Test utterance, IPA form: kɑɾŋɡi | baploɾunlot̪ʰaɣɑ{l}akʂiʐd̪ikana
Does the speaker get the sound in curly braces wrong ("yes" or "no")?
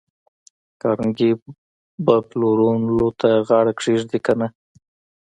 yes